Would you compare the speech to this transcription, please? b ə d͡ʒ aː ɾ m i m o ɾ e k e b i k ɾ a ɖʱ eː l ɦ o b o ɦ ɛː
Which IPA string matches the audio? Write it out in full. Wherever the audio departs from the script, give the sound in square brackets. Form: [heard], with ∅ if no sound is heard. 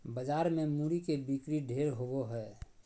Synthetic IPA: b ə d͡ʒ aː ɾ m [e] m [u] ɾ [i] k e b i k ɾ [i] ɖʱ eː [ɾ] ɦ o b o ɦ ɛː